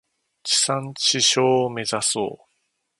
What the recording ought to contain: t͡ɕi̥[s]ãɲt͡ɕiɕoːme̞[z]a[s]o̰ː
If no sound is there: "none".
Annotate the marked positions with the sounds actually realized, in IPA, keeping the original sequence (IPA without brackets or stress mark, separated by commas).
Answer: s, z, s